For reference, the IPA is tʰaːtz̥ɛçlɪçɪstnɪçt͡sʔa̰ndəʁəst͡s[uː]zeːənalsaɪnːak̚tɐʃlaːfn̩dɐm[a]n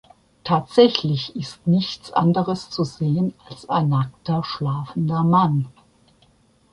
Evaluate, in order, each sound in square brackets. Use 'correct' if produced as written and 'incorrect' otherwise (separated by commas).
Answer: incorrect, correct